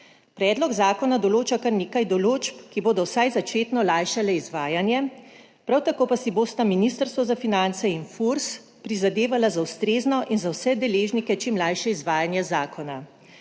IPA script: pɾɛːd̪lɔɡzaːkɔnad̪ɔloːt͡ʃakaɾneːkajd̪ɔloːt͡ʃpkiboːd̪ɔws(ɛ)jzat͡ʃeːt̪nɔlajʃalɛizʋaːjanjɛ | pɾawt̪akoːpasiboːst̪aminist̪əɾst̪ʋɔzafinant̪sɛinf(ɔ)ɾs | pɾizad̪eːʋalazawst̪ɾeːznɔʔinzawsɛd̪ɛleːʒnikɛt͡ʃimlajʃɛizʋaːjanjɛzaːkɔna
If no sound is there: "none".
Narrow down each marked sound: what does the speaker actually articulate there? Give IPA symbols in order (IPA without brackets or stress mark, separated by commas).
a, u